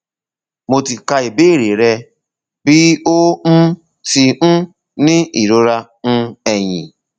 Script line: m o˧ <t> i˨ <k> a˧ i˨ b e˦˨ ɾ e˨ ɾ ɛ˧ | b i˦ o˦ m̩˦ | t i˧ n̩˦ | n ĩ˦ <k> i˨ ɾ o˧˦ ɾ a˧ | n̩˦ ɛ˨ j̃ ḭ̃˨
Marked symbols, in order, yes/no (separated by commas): yes, yes, no